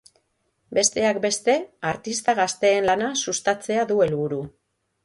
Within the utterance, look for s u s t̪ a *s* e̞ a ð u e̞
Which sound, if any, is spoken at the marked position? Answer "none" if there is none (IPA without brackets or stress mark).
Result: t͡s